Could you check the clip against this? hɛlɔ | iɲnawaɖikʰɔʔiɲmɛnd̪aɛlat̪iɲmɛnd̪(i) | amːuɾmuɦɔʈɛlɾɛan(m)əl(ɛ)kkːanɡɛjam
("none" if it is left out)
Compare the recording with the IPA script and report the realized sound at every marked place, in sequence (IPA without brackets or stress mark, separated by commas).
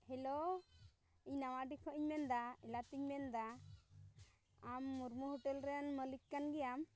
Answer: a, m, i